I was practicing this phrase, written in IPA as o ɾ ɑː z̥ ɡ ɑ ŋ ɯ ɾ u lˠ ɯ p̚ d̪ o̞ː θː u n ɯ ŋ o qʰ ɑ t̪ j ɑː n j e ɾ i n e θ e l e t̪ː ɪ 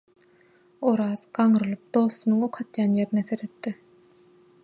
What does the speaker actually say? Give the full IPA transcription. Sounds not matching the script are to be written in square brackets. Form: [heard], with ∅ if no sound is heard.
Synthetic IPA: o ɾ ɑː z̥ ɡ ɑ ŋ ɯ ɾ [ɯ] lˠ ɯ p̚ d̪ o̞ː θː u n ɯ ŋ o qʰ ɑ t̪ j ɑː n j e ɾ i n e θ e [ɾ] e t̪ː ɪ